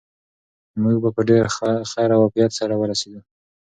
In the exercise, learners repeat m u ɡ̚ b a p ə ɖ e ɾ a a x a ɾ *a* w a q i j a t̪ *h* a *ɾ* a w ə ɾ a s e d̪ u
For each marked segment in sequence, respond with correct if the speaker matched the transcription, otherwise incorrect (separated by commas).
correct, incorrect, correct